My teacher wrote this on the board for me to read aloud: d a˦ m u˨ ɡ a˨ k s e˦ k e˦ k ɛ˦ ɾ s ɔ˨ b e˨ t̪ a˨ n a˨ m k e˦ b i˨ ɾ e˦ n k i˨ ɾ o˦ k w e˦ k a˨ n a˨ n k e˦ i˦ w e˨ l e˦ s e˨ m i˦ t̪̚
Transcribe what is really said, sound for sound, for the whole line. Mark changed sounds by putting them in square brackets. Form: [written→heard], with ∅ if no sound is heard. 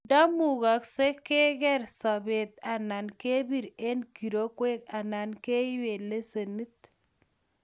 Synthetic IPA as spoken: d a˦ m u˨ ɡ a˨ k s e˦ k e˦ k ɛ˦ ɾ s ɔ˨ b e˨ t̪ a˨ n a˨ [m→n] k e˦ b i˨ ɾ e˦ n k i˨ ɾ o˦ k w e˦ k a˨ n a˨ n k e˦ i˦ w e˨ l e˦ s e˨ [m→n] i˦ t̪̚